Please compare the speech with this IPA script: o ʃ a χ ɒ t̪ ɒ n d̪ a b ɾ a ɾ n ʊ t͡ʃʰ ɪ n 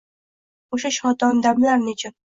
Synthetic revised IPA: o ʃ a ʃ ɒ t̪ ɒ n d̪ a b l a ɾ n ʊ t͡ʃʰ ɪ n